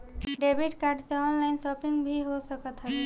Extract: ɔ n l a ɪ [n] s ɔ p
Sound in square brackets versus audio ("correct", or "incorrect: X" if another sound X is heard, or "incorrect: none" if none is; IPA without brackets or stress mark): correct